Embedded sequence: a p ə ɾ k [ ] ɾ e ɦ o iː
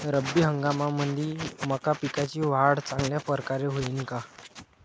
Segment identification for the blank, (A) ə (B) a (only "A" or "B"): B